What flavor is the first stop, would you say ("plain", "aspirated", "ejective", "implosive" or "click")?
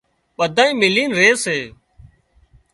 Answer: implosive